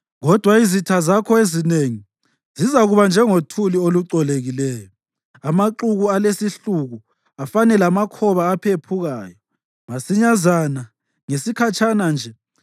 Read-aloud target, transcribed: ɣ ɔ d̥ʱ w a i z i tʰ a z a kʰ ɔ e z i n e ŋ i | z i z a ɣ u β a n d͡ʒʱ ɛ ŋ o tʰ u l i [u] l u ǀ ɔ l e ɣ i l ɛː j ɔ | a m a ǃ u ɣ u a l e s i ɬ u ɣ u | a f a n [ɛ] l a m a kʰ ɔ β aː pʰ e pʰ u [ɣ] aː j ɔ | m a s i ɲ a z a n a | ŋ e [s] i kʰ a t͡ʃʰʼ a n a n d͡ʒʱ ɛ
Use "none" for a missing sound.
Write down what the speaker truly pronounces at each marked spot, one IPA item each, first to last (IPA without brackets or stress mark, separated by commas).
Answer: o, ɛ, ɣ, s